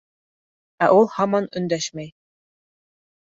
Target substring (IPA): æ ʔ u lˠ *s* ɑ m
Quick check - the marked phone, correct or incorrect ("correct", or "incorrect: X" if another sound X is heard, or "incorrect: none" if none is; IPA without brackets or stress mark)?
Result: incorrect: h